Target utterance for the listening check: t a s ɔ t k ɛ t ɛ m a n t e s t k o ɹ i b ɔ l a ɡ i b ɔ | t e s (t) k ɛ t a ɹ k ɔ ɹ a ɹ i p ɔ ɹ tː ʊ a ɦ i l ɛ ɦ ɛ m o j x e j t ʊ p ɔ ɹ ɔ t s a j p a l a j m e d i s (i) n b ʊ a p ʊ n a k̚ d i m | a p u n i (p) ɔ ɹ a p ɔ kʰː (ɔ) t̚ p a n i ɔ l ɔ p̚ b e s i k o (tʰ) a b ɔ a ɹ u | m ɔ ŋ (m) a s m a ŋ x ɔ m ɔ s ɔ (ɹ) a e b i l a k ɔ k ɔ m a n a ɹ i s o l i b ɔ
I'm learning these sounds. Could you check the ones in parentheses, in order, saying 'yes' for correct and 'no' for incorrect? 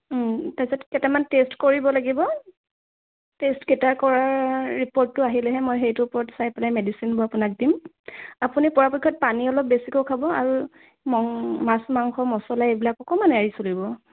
yes, yes, yes, yes, no, yes, no

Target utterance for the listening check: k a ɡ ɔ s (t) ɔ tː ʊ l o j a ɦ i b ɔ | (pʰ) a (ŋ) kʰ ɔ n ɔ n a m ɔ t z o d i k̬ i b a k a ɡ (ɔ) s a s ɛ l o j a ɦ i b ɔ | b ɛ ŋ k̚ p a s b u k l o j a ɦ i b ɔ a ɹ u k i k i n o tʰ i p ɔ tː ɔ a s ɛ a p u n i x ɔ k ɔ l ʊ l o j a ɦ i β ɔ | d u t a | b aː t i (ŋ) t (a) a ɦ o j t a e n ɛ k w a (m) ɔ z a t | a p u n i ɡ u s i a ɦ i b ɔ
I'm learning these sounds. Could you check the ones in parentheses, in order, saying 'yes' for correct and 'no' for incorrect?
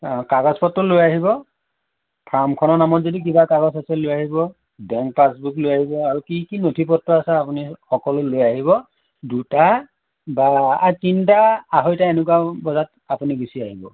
no, yes, no, yes, no, yes, no

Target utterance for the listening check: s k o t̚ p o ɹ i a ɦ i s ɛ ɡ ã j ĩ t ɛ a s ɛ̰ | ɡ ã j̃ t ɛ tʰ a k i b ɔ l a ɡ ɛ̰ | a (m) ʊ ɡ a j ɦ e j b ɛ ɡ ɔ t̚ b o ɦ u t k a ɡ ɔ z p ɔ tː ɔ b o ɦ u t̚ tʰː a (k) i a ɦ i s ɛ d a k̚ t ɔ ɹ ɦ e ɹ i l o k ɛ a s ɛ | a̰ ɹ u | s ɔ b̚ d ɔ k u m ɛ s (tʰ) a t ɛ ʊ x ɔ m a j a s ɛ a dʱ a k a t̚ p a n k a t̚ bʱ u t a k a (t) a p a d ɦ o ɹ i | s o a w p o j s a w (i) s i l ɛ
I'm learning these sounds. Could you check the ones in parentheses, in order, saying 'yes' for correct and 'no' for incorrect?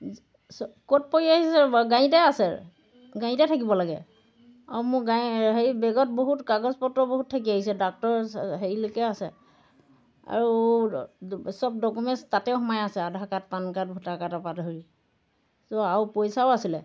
yes, yes, no, yes, no

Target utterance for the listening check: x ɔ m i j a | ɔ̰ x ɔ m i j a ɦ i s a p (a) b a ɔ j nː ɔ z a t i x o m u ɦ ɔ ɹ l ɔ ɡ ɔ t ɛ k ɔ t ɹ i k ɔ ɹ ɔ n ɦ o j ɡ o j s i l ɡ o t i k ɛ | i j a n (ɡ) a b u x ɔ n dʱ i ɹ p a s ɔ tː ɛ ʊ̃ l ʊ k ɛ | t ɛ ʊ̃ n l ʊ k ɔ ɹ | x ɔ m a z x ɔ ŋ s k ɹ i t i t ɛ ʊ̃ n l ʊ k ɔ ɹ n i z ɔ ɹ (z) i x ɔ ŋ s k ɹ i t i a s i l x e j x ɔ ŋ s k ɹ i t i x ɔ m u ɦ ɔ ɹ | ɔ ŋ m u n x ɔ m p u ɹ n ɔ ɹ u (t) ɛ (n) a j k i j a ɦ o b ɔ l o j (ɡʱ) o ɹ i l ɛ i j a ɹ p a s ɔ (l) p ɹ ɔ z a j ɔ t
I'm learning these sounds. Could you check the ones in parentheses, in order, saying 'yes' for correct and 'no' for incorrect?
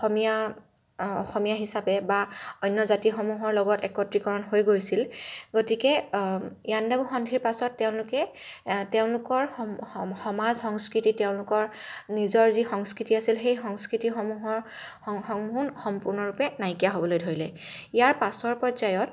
no, no, yes, no, yes, no, no

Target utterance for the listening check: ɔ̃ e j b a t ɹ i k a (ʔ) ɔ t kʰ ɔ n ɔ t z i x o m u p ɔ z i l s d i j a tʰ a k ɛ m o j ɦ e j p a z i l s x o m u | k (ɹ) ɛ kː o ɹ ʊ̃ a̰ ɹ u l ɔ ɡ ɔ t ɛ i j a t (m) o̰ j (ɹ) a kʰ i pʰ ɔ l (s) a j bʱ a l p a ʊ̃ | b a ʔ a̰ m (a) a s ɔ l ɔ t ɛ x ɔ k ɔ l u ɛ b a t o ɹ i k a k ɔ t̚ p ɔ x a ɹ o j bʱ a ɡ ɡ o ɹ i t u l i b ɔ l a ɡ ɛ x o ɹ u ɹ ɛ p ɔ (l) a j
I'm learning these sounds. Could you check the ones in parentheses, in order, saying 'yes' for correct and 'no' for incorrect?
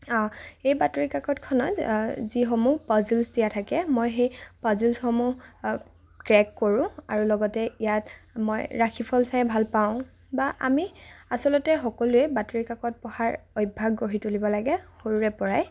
no, yes, yes, yes, yes, no, no

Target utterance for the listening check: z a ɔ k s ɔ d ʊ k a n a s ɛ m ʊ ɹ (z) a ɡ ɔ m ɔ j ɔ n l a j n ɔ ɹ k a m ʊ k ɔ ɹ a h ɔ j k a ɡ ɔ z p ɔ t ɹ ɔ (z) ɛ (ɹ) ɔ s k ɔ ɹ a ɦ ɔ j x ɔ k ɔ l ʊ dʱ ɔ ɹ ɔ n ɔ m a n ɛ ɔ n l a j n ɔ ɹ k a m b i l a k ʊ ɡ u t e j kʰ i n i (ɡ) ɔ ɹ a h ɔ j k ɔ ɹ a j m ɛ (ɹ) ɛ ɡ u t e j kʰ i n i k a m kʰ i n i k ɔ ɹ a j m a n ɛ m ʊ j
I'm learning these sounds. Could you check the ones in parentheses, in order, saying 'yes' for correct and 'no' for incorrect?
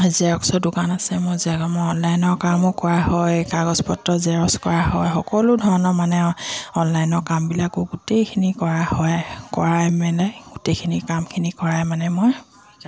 yes, yes, yes, no, no

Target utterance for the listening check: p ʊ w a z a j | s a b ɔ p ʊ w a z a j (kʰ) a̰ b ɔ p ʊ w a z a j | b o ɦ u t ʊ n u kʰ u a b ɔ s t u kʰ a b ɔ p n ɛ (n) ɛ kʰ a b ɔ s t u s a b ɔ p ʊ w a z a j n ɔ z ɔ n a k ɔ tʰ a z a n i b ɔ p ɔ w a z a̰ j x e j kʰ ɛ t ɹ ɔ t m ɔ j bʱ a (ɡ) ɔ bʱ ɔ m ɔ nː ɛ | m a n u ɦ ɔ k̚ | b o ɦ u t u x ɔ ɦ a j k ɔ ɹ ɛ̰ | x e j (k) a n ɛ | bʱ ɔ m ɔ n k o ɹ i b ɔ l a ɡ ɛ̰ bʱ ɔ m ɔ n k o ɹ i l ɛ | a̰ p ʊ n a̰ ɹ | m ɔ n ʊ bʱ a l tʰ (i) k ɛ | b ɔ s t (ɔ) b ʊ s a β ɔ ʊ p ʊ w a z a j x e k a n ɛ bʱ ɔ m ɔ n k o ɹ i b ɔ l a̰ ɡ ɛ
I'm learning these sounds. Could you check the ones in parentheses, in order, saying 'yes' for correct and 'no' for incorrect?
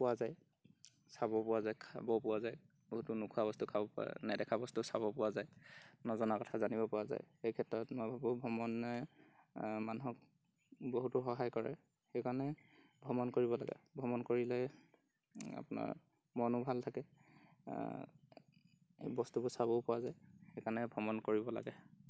yes, no, no, yes, no, no

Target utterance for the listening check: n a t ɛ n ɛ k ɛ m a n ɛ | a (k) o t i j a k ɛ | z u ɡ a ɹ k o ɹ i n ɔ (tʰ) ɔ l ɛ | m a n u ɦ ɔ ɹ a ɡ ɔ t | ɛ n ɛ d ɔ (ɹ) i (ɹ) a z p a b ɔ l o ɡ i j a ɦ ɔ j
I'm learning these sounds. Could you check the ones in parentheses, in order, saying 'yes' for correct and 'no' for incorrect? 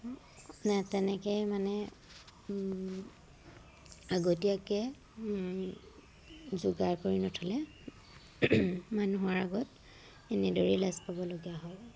no, yes, yes, no

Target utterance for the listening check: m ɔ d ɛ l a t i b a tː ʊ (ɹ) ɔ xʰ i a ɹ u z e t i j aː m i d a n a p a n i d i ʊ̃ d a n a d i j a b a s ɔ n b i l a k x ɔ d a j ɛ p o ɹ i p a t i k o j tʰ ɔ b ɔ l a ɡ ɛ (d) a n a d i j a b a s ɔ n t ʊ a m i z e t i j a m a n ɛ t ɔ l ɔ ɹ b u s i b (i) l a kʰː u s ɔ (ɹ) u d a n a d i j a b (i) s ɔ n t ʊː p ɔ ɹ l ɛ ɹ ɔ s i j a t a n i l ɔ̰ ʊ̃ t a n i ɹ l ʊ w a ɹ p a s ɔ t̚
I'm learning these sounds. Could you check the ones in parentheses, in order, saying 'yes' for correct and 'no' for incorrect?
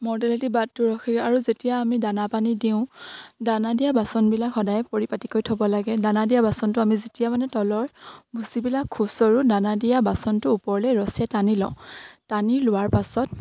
yes, yes, yes, yes, no

